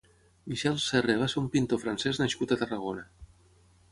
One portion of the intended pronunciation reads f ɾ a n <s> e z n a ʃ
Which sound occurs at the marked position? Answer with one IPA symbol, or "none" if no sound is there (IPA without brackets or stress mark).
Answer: s